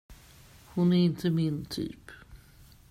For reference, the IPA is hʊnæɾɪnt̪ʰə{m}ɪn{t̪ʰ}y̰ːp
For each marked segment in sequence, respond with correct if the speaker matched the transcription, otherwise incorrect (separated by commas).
correct, correct